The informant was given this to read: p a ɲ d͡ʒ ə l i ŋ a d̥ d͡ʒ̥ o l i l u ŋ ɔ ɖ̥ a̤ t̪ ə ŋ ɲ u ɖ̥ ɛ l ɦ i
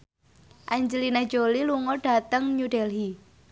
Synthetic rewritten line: ʔ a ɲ d͡ʒ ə l i n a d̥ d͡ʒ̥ o l i l u ŋ ɔ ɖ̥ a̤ t̪ ə ŋ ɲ u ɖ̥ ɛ l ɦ i

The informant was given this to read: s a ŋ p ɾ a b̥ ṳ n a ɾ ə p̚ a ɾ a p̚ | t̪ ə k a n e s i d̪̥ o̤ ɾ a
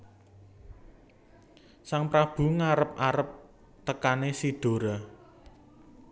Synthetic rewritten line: s a ŋ p ɾ a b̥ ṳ ŋ a ɾ ə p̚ a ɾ ə p̚ | t̪ ə k a n e s i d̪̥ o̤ ɾ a

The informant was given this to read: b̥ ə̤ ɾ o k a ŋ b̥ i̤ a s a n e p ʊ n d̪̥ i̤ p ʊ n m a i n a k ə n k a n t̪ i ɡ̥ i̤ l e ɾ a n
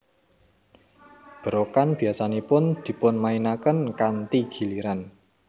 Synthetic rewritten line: b̥ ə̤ ɾ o k a n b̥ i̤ a s a n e p ʊ n d̪̥ i̤ p ʊ n m a i n a k ə n k a n t̪ i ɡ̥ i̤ l i ɾ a n

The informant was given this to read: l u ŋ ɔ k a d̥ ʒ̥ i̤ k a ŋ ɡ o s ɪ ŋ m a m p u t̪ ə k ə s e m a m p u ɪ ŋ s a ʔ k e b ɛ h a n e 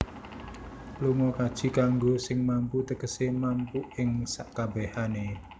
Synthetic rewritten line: l u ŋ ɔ k a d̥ ʒ̥ i̤ k a ŋ ɡ o s ɪ ŋ m a m p u t̪ ə k ə s e m a m p u ɪ ŋ s a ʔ k a b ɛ h a n e

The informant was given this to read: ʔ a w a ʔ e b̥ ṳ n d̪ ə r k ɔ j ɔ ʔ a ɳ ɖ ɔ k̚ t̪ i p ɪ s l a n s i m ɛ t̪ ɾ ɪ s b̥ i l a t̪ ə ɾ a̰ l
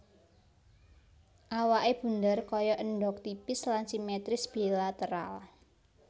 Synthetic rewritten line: ʔ a w a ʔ e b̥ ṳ n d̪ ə r k ɔ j ɔ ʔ ə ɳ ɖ ɔ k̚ t̪ i p ɪ s l a n s i m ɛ t̪ ɾ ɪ s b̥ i l a t̪ ə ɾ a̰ l

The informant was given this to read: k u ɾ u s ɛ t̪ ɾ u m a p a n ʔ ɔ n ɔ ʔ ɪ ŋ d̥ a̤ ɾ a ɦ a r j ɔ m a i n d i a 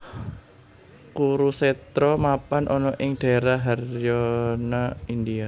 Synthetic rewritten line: k u ɾ u s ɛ t̪ ɾ ɔ m a p a n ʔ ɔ n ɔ ʔ ɪ ŋ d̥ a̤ ɾ a ɦ a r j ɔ n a i n d i a

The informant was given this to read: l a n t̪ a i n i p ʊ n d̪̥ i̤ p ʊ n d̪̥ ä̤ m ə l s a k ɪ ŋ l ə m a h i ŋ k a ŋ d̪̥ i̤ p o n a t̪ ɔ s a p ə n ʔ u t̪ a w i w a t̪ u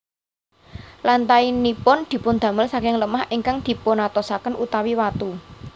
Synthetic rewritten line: l a n t̪ a i n i p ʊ n d̪̥ i̤ p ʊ n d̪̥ ä̤ m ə l s a k ɪ ŋ l ə m a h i ŋ k a ŋ d̪̥ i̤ p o n a t̪ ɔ s a k ə n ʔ u t̪ a w i w a t̪ u

